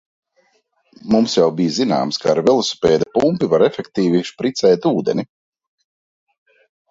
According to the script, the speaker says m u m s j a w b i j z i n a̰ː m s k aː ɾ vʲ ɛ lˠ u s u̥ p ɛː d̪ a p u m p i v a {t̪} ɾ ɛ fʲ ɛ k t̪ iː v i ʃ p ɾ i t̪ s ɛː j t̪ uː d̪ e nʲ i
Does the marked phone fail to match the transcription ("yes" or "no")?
yes